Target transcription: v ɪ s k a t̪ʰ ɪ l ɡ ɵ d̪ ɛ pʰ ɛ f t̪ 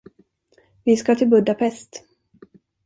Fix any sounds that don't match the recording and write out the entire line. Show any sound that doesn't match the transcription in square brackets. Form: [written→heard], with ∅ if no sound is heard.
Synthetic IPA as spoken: v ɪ s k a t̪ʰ ɪ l [ɡ→b] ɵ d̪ [ɛ→a] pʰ ɛ [f→s] t̪